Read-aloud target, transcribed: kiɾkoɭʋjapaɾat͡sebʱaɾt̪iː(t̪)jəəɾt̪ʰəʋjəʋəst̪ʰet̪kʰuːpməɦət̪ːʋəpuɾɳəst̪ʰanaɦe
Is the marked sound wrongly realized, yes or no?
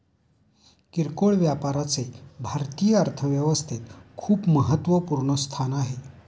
yes